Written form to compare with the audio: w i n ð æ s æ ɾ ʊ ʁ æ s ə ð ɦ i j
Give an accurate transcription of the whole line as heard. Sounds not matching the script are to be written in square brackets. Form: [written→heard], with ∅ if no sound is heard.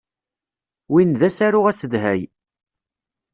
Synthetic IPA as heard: w i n ð æ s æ ɾ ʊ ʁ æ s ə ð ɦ [i→æ] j